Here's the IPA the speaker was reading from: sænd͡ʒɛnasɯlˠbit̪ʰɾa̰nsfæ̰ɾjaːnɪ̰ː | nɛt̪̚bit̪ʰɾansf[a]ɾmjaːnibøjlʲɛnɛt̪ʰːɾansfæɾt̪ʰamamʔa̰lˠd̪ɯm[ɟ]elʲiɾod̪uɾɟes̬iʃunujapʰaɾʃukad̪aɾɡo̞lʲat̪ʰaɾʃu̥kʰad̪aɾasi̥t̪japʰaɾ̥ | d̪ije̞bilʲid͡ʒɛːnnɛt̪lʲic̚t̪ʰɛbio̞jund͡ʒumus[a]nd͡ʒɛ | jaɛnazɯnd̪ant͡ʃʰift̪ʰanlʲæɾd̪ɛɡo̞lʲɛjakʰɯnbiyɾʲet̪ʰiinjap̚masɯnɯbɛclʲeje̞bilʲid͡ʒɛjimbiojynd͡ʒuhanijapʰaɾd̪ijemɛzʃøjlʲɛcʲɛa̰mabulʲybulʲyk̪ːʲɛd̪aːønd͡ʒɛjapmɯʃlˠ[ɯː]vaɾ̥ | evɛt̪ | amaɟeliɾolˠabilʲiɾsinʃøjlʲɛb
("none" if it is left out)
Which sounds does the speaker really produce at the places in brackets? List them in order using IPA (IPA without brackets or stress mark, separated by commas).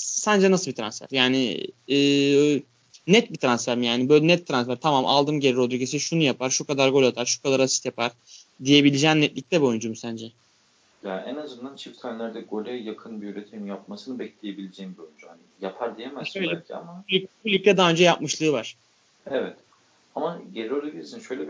æ, ɟ, æ, ɯː